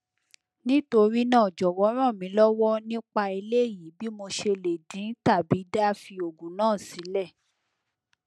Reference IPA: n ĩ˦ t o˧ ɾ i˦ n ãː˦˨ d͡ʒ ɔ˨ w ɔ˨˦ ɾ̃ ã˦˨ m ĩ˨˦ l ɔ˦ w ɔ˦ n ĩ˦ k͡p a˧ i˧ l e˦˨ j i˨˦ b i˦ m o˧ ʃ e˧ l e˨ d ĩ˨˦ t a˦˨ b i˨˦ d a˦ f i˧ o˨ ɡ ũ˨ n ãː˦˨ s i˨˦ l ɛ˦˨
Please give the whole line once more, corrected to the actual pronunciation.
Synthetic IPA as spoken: n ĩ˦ t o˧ ɾ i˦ n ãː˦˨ d͡ʒ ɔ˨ w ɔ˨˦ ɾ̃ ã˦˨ m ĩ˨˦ l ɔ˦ w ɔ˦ n ĩ˦ k͡p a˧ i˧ l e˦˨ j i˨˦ b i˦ m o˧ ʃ e˧ l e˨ d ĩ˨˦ t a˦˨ b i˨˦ d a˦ f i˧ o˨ ɡ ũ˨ n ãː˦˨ s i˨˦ l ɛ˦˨